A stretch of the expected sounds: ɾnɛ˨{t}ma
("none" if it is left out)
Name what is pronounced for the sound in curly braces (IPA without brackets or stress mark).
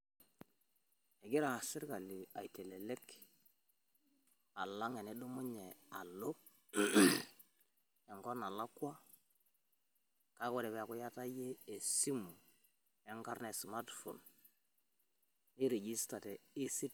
s